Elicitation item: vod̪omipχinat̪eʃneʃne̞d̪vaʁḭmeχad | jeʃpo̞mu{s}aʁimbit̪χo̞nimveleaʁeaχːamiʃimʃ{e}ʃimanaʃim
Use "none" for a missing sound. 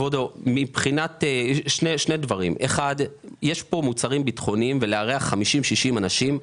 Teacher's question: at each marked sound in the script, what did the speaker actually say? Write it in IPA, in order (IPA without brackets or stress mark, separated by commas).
t͡s, i